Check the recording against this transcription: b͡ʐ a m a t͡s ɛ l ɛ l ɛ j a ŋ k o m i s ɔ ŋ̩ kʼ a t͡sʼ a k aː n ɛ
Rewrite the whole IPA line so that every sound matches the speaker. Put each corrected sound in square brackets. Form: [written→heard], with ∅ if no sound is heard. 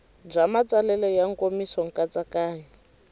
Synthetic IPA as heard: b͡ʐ a m a t͡s [ɛ→a] l ɛ l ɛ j a ŋ k o m i s ɔ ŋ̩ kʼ a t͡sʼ a k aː [n→ɲ] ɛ